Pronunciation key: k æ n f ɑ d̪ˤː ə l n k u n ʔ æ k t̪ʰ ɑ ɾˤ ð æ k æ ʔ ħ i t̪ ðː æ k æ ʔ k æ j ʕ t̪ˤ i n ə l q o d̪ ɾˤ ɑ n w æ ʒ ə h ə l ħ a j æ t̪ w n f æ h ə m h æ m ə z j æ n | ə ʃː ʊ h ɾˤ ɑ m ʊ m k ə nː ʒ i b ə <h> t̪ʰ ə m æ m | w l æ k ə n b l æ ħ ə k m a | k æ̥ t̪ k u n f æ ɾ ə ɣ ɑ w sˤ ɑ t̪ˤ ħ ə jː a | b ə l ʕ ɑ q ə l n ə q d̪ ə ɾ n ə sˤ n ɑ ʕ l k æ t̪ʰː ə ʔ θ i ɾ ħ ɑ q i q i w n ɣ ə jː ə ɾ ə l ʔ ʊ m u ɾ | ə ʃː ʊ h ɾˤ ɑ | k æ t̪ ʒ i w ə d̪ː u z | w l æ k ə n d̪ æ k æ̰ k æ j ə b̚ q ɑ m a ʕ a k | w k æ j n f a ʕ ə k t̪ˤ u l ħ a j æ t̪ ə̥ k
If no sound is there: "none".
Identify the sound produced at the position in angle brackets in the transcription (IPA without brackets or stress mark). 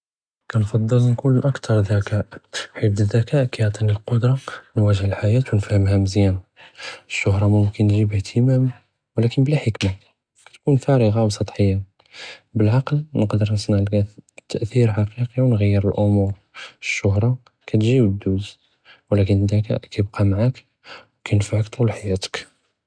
h